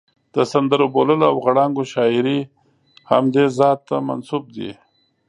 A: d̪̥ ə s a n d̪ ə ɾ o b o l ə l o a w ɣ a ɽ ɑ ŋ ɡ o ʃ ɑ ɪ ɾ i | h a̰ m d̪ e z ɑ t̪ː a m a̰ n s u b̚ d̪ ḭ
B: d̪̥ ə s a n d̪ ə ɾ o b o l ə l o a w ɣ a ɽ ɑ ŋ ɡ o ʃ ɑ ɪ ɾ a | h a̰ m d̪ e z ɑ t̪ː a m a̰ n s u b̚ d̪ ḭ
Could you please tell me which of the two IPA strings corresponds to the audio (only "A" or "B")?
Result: A